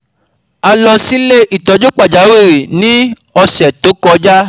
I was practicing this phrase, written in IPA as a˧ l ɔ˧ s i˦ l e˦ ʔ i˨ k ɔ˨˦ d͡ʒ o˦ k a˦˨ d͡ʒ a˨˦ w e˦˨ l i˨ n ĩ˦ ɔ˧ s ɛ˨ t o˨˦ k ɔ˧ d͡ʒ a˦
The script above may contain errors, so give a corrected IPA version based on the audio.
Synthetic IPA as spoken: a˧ l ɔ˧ s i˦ l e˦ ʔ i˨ t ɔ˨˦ d͡ʒ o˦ k͡p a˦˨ d͡ʒ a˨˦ w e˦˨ ɾ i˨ n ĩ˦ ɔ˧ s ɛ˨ t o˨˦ k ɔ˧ d͡ʒ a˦